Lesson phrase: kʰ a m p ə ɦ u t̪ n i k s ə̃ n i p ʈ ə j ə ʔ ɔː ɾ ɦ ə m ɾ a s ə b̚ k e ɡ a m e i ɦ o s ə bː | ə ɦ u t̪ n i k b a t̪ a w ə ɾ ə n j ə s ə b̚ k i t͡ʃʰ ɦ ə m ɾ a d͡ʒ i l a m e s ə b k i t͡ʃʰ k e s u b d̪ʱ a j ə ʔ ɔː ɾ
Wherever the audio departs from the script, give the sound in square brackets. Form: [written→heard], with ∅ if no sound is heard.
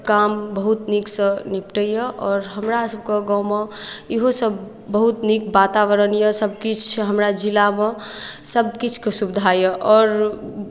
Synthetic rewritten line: [kʰ→k] a m [p→b] ə ɦ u t̪ n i k s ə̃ n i p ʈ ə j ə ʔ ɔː ɾ ɦ ə m ɾ a s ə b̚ k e ɡ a m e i ɦ o s ə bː | ə ɦ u t̪ n i k b a t̪ a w ə ɾ ə n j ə s ə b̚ k i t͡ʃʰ ɦ ə m ɾ a d͡ʒ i l a m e s ə b k i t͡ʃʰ k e s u b d̪ʱ a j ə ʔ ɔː ɾ